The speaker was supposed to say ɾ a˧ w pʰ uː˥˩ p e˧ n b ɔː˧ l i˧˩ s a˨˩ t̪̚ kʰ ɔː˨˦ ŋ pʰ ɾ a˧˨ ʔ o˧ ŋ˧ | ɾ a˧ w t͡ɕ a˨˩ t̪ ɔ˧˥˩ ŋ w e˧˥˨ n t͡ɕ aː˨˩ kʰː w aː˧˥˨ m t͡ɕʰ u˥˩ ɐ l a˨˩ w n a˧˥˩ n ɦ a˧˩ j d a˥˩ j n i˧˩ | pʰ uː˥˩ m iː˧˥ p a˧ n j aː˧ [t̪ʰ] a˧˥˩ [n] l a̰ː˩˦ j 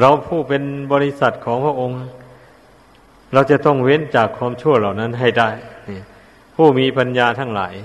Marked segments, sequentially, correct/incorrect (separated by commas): correct, incorrect